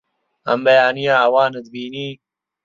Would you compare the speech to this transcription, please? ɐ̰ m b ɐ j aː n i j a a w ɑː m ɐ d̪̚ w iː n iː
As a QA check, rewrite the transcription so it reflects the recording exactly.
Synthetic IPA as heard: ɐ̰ m b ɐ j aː n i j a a w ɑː n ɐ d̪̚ b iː n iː